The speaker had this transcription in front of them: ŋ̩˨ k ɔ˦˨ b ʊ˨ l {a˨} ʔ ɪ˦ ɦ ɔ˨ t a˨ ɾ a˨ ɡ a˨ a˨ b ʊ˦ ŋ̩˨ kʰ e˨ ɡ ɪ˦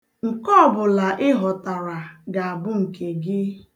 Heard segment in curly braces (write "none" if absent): a˨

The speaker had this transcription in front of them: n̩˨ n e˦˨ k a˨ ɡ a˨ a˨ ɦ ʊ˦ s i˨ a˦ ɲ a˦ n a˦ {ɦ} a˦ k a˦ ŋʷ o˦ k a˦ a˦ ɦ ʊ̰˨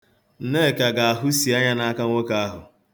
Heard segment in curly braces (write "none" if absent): none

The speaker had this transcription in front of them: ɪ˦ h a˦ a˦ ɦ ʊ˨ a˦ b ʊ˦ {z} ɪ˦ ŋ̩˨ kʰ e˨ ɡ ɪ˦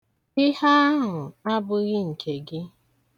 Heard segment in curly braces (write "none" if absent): ɣ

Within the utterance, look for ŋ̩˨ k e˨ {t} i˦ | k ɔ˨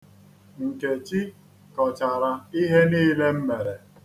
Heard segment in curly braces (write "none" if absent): t͡ʃ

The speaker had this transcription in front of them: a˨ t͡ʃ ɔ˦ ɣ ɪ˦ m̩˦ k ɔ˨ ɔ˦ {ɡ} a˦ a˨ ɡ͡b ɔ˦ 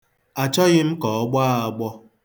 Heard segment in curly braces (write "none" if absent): ɡ͡b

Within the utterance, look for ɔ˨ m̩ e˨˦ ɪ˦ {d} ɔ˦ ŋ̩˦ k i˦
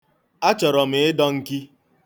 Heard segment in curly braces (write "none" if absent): d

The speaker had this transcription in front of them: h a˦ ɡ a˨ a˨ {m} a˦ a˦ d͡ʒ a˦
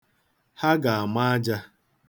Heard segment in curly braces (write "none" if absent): m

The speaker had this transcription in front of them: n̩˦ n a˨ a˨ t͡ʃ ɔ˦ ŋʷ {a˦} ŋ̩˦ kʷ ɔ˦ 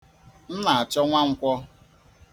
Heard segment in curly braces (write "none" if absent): a˦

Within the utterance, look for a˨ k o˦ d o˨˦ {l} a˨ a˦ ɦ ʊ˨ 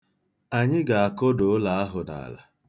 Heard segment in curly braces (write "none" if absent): l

